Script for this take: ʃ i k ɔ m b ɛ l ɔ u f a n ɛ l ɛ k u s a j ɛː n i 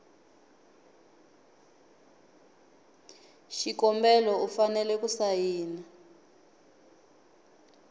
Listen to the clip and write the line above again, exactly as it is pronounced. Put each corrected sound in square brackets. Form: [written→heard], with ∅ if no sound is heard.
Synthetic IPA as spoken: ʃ i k ɔ m b ɛ l ɔ u f a n ɛ l ɛ k u s a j [ɛː→iː] n [i→a]

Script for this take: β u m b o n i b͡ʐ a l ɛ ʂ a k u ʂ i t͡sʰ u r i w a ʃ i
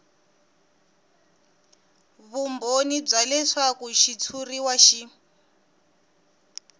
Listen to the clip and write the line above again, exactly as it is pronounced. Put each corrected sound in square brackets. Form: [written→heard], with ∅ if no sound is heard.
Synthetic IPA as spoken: β u m b o n i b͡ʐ a l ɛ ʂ a k u [ʂ→ʃ] i t͡sʰ u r i w a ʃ i

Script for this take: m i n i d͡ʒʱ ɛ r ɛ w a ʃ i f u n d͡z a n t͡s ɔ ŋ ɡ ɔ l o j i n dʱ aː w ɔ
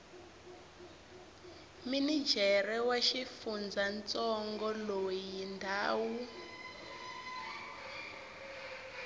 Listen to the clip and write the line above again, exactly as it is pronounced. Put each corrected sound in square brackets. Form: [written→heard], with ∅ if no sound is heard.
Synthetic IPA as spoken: m i n i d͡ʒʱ ɛ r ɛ w a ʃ i f u n d͡z a n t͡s ɔ ŋ ɡ ɔ l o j i n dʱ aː w [ɔ→u]

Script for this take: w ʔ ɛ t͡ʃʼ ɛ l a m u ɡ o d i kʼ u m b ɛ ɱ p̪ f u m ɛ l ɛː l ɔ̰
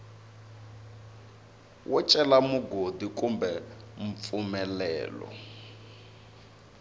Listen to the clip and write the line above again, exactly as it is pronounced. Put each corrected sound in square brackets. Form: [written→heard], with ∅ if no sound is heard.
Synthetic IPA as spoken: w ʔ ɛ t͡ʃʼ ɛ l a m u ɡ o d i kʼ u m b ɛ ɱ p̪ f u m ɛ l ɛː l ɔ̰

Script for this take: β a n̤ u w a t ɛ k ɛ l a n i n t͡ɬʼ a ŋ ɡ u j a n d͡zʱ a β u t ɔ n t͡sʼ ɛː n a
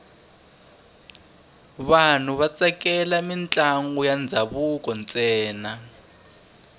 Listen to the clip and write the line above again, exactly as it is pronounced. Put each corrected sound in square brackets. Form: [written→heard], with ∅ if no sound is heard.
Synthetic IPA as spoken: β a n̤ u [w→β] a [t→t͡s] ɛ k ɛ l a [n→m] i n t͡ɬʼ a ŋ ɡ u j a n d͡zʱ a β u [t→k] ɔ n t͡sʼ ɛː n a

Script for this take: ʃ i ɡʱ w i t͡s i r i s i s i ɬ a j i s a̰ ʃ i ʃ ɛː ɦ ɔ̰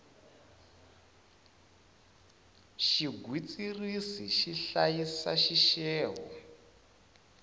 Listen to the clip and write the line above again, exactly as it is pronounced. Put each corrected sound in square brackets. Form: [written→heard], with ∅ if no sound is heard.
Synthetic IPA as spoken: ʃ i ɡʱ w i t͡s i r i s i [s→ʃ] i ɬ a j i s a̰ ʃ i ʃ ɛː ɦ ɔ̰

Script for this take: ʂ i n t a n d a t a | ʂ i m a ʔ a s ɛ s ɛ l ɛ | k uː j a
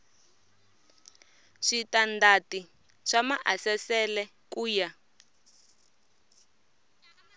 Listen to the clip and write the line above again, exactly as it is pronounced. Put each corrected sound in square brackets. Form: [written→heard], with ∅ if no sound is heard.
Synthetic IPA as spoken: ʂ i [n→∅] t a n d a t [a→i] | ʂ [i→a] m a ʔ a s ɛ s ɛ l ɛ | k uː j a

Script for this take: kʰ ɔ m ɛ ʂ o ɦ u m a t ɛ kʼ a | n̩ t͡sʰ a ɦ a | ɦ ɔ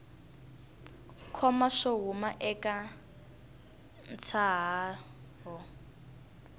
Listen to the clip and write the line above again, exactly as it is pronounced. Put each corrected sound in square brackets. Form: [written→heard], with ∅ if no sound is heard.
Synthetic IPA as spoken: kʰ ɔ m [ɛ→a] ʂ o ɦ u m a [t→ʔ] ɛ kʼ a | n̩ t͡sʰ a ɦ a | ɦ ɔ

